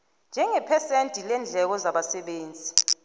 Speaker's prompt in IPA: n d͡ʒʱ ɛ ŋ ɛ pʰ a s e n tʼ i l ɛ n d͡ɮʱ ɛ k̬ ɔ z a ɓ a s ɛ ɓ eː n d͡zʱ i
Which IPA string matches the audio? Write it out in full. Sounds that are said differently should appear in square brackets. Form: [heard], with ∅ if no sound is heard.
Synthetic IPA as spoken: n d͡ʒʱ ɛ ŋ ɛ pʰ [ɛ] s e n tʼ i l ɛ n d͡ɮʱ ɛ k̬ ɔ z a ɓ a s ɛ ɓ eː n d͡zʱ i